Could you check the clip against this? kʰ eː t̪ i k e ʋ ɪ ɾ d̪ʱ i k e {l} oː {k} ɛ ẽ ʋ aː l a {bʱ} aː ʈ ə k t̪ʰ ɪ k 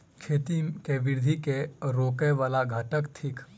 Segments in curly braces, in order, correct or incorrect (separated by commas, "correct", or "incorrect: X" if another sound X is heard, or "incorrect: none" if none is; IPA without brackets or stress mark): incorrect: ɾ, correct, incorrect: ɡʱ